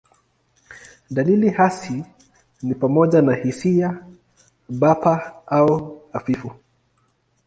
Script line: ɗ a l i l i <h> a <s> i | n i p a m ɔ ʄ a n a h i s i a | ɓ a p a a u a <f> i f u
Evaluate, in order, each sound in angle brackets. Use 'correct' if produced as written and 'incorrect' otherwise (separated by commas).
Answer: correct, correct, correct